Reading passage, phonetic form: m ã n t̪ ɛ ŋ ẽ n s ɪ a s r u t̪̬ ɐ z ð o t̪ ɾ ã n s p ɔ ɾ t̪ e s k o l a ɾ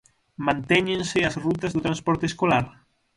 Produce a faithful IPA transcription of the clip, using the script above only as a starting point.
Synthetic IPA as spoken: m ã n t̪ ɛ ɲ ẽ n s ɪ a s r u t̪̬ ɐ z ð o t̪ ɾ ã n s p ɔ ɾ t̪ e s k o l a ɾ